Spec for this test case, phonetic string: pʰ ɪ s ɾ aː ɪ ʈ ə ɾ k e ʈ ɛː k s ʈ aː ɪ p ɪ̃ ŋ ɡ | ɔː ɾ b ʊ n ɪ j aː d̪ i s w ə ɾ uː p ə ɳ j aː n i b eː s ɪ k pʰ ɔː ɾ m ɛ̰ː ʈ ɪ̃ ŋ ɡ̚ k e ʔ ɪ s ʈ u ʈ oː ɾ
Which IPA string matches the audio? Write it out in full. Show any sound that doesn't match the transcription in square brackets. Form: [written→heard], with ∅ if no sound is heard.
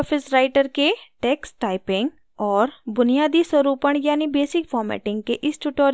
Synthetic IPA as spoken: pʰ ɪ s ɾ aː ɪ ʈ ə ɾ k e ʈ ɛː k s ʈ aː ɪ p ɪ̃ ŋ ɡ | ɔː ɾ b ʊ n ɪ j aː d̪ i s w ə ɾ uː p ə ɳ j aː n i b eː s ɪ k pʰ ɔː ɾ m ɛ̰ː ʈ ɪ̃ ŋ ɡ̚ k e ʔ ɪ s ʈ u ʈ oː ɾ